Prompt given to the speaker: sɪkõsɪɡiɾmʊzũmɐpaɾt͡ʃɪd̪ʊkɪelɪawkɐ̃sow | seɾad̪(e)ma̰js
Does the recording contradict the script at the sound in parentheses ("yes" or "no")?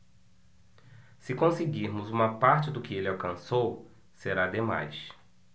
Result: no